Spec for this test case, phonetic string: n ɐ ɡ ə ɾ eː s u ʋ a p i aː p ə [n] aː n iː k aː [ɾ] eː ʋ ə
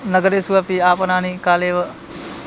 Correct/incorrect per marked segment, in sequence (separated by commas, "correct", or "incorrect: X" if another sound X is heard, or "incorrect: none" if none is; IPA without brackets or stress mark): correct, incorrect: l